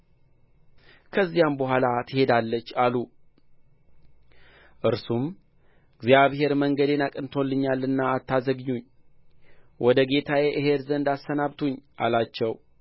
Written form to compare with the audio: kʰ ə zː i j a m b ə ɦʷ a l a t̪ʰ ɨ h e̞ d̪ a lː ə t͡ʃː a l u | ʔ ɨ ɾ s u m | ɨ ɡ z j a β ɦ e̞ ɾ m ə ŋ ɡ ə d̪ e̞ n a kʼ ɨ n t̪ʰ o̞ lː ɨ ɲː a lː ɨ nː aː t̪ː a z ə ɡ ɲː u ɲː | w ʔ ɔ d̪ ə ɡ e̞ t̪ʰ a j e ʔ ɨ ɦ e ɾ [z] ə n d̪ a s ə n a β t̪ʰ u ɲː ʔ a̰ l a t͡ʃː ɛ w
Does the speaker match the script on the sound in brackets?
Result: yes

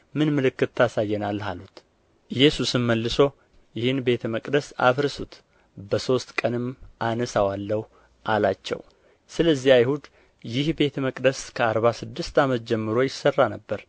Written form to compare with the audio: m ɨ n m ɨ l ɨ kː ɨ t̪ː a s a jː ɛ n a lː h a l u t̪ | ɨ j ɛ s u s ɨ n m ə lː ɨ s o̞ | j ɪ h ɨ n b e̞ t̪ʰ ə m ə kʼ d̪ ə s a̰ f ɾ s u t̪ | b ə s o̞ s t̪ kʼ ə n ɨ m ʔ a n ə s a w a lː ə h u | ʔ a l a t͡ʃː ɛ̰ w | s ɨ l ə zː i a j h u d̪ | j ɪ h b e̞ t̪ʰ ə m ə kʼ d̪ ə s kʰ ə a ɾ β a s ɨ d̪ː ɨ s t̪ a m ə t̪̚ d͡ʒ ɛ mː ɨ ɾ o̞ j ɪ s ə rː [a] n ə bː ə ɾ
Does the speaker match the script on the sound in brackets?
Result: yes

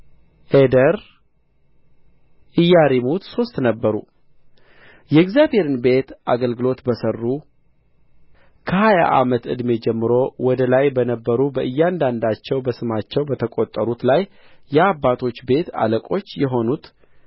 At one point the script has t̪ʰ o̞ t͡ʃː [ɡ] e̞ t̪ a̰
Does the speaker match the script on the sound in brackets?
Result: no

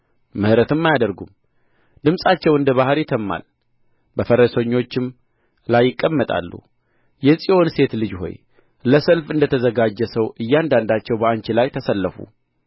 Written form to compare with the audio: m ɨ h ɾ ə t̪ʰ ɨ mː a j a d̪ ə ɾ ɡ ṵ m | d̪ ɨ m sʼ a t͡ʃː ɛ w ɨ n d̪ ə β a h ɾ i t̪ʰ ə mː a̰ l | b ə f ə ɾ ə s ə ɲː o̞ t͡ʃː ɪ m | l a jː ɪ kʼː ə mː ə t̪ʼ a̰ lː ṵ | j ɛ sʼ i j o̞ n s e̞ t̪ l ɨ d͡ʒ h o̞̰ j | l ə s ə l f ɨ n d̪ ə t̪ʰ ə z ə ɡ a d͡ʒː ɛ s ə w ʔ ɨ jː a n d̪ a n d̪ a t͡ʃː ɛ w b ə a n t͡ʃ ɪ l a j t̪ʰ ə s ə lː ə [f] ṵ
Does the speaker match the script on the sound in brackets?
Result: yes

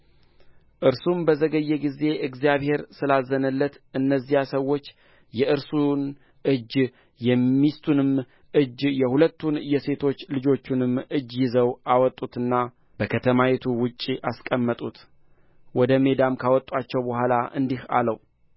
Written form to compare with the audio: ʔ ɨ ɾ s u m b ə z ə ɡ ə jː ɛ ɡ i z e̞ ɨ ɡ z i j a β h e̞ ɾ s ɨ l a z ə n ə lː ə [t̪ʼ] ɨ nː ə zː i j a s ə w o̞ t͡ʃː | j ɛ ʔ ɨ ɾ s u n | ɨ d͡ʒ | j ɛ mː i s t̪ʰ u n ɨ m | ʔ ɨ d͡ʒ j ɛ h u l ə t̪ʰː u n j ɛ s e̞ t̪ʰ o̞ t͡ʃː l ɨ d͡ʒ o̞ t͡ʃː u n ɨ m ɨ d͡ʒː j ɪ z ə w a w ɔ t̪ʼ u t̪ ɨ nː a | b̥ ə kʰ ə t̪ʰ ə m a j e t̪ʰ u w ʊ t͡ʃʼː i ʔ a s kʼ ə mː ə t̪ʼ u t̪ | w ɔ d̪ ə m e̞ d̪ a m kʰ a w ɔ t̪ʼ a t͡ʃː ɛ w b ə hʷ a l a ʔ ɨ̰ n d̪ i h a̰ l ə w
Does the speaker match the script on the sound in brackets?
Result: no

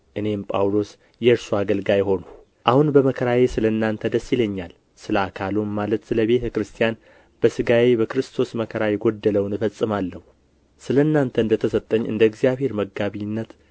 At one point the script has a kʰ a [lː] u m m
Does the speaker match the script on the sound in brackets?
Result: no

